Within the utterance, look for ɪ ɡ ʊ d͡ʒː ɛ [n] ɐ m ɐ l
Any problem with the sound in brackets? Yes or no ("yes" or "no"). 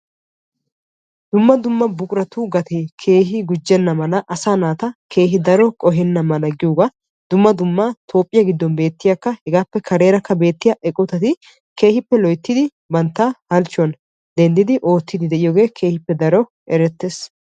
yes